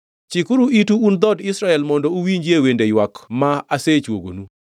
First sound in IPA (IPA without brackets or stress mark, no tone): t͡ʃ